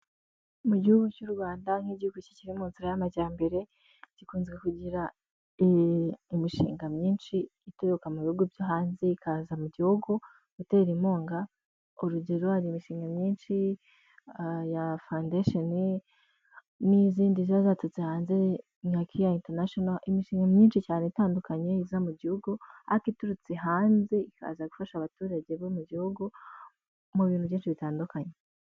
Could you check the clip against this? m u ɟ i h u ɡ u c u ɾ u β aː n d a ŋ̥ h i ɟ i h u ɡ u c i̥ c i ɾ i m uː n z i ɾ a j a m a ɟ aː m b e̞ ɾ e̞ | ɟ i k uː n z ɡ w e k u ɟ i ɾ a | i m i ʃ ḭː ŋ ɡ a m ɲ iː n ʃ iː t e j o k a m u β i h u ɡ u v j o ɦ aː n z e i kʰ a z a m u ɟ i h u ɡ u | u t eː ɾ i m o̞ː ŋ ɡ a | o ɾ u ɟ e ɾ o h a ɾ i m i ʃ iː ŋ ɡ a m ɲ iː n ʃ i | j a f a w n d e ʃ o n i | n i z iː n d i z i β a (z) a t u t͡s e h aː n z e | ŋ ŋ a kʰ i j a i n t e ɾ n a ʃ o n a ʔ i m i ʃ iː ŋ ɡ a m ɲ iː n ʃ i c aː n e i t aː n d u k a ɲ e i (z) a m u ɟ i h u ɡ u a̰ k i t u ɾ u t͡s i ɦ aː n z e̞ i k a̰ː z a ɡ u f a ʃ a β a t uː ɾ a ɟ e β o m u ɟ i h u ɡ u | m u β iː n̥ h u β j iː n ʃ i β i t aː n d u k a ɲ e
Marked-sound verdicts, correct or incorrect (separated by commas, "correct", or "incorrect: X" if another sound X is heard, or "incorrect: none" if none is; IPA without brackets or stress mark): correct, correct